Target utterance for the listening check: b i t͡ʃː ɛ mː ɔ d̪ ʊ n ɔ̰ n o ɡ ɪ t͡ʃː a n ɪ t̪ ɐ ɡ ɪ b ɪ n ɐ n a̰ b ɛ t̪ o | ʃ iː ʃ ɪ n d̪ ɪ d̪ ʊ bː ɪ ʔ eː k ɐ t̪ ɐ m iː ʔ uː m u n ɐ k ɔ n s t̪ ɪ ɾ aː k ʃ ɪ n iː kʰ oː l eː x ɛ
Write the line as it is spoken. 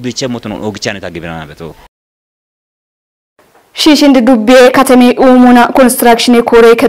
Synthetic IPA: b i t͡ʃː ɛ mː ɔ t̪ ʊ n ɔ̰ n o ɡ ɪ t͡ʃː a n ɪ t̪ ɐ ɡ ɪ b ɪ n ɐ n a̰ b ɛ t̪ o | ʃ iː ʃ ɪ n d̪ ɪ d̪ ʊ bː ɪ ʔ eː k ɐ t̪ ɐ m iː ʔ uː m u n ɐ k ɔ n s t̪ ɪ ɾ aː k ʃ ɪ n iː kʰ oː ɾ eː k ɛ